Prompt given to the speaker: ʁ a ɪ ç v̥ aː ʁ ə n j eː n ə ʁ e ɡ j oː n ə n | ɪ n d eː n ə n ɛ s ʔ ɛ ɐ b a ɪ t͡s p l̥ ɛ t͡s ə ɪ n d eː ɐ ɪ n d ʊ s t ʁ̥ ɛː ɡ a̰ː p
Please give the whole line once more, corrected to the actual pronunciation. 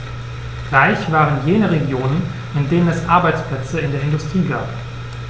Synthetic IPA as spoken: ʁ a ɪ ç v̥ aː ʁ ə n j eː n ə ʁ e ɡ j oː n ə n | ɪ n d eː n ə n ɛ s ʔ a ɐ b a ɪ t͡s p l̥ ɛ t͡s ə ɪ n d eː ɐ ɪ n d ʊ s t ʁ̥ iː ɡ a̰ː p